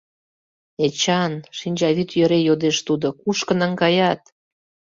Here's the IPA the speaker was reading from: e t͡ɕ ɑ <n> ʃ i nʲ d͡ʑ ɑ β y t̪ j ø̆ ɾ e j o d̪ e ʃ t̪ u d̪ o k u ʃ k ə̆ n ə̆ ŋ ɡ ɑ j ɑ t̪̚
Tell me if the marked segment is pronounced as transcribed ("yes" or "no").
yes